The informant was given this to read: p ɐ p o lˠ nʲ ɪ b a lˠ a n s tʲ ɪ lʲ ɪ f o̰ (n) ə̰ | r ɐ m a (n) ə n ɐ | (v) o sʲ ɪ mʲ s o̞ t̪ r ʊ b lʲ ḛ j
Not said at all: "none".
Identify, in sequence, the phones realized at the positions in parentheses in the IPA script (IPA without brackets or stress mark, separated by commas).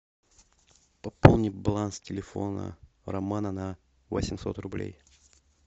n, n, v